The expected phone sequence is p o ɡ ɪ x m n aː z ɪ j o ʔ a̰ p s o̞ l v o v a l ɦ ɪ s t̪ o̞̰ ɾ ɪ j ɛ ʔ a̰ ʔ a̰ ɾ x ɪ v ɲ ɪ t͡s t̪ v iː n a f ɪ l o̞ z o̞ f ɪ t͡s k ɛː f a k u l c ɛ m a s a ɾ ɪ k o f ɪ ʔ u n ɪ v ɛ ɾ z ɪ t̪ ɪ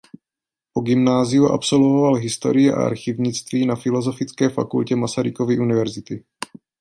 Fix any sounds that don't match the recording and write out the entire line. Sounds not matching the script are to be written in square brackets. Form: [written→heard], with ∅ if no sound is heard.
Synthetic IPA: p o ɡ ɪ [x→∅] m n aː z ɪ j [o→u] ʔ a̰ p s o̞ l v o v a l ɦ ɪ s t̪ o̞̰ ɾ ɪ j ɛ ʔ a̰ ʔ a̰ ɾ x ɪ v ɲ ɪ t͡s t̪ v iː n a f ɪ l o̞ z o̞ f ɪ t͡s k ɛː f a k u l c ɛ m a s a ɾ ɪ k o [f→v] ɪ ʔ u n ɪ v ɛ ɾ z ɪ t̪ ɪ